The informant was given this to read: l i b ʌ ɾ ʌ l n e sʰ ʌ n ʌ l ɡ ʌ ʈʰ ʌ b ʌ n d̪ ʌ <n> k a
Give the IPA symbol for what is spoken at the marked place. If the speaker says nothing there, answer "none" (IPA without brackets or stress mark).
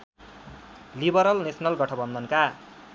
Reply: n